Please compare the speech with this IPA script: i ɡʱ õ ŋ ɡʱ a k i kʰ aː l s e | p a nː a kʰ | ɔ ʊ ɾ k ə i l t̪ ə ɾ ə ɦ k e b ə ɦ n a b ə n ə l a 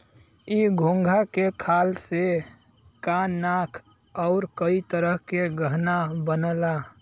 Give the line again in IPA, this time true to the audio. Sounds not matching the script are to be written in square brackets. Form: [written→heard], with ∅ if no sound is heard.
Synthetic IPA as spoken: i ɡʱ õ ŋ ɡʱ a k [i→e] kʰ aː l s e | [p→k] a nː a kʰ | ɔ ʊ ɾ k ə i [l→∅] t̪ ə ɾ ə ɦ k e [b→ɡ] ə ɦ n a b ə n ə l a